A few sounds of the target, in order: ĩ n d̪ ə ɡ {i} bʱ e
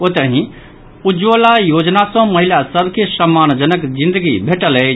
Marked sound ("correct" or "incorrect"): correct